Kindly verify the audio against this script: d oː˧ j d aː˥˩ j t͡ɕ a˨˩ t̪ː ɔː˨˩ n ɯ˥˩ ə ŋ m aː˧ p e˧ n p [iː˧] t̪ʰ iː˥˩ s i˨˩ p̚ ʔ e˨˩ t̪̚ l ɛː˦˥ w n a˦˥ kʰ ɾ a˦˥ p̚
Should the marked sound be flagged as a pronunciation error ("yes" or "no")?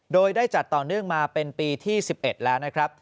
no